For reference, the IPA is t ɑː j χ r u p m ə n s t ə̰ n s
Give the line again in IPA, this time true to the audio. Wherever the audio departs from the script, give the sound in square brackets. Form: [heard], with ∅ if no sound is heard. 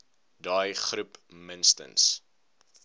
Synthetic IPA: [d] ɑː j χ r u p m ə n s t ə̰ n s